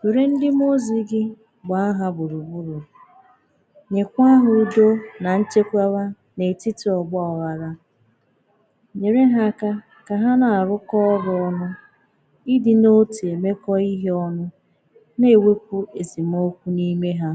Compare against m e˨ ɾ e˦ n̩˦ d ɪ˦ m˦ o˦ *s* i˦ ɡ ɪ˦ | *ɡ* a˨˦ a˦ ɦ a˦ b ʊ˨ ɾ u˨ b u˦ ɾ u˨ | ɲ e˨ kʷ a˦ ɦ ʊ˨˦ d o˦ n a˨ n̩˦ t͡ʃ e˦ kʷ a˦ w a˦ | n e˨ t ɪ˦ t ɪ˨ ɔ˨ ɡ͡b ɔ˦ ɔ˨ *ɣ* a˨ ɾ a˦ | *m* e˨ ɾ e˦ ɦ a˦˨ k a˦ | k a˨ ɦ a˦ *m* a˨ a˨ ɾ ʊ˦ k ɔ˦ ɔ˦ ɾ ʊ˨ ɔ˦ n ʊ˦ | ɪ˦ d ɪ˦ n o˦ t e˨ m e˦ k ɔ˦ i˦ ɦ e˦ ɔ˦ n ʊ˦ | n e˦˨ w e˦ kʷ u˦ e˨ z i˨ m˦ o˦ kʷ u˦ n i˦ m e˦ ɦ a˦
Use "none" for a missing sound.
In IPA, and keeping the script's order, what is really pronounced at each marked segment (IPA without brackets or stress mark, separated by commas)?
z, ɡ͡b, ɣ, ɲ, n